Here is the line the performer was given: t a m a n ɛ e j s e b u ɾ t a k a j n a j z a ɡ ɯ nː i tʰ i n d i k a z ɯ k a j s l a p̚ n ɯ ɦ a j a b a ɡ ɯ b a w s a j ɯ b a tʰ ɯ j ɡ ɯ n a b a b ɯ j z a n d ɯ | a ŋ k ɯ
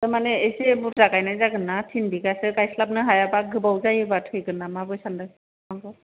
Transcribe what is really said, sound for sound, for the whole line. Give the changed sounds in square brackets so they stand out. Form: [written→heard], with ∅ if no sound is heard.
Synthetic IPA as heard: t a m a n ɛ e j s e b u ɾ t a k a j n a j z a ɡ ɯ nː [i→a] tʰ i n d i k a [z→s] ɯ k a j s l a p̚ n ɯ ɦ a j a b a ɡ ɯ b a w [s→z] a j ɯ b a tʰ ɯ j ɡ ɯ n a [b→m] a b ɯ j [z→s] a n d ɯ | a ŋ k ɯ